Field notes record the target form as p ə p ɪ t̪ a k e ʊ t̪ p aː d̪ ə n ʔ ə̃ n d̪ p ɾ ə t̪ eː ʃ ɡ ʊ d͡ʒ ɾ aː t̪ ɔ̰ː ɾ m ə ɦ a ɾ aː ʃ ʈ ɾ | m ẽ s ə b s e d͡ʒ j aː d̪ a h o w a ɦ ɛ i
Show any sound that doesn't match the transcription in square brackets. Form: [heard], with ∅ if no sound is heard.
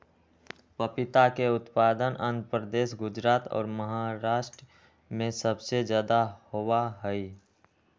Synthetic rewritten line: p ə p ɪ t̪ a k e ʊ t̪ p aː d̪ ə n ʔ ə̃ n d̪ p ɾ ə [d̪] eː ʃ ɡ ʊ d͡ʒ ɾ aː t̪ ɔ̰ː ɾ m ə ɦ a ɾ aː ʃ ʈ ɾ | m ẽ s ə b s e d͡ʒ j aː d̪ a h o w a ɦ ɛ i